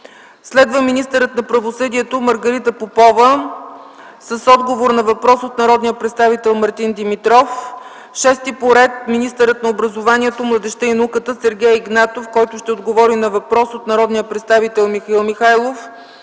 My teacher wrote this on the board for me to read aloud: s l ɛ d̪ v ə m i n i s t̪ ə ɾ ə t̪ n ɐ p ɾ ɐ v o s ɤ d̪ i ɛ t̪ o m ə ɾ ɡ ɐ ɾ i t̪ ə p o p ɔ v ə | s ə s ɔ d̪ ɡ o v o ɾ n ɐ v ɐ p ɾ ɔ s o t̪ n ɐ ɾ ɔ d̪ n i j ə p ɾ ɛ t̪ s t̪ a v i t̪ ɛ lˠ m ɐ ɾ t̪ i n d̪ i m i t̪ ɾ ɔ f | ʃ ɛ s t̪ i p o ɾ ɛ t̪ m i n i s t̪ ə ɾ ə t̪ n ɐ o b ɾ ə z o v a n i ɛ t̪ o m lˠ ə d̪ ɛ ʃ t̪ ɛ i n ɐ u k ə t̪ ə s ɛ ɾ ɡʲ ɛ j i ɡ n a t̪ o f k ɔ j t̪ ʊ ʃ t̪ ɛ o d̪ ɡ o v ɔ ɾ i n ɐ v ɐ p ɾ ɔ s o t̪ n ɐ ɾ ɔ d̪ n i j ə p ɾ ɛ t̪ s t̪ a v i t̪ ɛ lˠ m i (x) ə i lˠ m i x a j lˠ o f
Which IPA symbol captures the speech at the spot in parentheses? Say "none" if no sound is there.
x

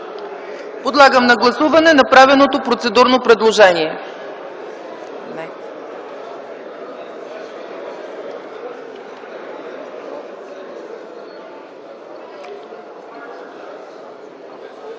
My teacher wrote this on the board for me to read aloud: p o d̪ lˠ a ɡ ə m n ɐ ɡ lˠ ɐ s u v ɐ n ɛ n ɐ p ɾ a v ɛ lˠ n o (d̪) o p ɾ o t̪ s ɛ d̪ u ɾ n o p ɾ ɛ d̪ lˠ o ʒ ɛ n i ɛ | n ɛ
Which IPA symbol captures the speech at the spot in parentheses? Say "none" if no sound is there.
t̪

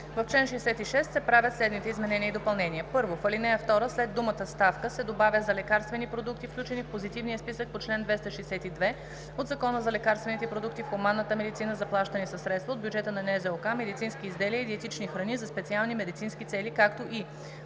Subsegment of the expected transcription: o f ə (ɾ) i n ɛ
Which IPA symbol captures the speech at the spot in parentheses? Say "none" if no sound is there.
l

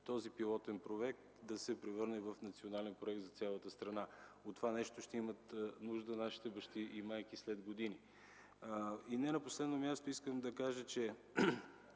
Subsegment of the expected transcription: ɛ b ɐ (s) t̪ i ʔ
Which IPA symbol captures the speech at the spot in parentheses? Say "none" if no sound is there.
ʃ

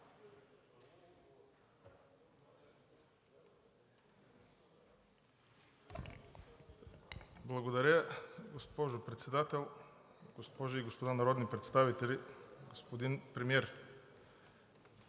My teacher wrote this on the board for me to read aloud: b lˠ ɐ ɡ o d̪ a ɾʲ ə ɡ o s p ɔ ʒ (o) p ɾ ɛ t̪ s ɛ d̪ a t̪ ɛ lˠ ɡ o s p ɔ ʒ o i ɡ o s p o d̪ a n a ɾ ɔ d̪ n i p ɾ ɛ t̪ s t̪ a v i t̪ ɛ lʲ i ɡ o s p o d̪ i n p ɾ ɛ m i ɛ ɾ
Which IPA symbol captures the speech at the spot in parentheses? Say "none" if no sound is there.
o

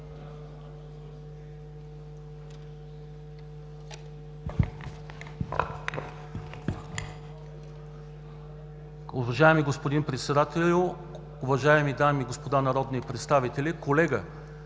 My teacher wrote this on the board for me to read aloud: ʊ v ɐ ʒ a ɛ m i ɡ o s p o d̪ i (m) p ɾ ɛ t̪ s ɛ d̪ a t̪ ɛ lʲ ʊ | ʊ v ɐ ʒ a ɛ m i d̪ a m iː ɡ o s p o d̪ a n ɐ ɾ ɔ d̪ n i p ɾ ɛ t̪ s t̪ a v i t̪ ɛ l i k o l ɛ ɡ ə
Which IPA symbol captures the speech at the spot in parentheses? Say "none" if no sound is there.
n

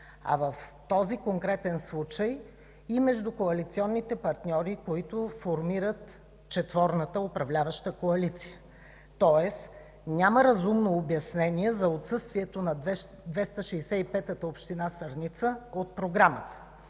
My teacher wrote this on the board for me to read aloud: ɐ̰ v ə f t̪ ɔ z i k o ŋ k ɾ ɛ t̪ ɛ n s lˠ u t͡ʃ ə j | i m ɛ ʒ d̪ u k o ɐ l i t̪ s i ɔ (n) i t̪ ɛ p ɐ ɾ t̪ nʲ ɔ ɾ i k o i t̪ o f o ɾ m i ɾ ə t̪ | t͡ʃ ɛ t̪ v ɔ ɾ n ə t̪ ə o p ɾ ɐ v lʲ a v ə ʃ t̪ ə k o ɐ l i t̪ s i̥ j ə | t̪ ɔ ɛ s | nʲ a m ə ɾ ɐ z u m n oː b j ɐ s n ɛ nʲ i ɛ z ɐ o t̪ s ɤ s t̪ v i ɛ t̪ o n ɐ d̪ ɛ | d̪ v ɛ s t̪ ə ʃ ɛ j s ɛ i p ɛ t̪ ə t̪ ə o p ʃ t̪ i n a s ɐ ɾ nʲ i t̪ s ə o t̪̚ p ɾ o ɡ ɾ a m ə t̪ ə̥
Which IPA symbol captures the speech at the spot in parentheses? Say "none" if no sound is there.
nː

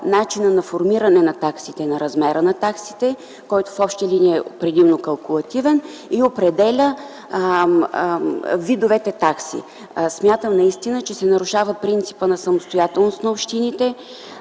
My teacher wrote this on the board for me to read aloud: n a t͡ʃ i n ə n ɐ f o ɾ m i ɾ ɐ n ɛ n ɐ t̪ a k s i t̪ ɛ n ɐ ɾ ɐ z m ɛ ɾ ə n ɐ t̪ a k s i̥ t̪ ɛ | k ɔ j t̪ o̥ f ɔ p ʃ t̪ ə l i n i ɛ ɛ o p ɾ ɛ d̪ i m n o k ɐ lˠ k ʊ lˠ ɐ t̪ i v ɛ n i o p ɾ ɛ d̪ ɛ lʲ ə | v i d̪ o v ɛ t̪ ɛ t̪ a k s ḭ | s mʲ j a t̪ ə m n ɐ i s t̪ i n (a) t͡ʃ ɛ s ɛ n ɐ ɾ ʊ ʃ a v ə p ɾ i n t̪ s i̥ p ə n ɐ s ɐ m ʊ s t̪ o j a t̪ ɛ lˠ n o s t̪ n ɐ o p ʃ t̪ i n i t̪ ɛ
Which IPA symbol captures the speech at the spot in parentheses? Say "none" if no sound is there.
ə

